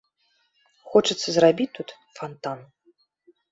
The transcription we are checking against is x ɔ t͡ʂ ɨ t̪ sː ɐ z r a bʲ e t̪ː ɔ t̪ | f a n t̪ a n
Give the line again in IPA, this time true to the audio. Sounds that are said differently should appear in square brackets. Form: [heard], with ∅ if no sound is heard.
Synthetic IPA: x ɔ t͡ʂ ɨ t̪ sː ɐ z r a bʲ [i] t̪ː [u] t̪ | f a n t̪ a n